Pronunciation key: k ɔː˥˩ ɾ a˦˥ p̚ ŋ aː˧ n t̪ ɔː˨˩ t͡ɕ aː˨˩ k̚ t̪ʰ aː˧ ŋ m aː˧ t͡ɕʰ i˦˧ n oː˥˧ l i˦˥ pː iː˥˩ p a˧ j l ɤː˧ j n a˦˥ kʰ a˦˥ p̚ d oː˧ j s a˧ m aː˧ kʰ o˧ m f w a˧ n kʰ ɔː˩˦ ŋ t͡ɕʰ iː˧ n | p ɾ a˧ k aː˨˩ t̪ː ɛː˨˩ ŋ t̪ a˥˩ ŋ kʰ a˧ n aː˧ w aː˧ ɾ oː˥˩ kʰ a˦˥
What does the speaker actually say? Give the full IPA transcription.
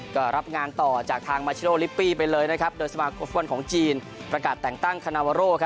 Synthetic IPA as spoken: k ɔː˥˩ ɾ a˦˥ p̚ ŋ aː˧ n t̪ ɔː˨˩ t͡ɕ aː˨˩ k̚ t̪ʰ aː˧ ŋ m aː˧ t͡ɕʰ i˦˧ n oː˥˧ l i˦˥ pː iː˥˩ p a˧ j l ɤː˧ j n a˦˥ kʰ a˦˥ p̚ d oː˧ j s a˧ m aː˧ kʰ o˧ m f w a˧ n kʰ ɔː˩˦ ŋ t͡ɕ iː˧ n | p ɾ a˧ k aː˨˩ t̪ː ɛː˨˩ ŋ t̪ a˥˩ ŋ kʰ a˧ n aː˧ w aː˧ ɾ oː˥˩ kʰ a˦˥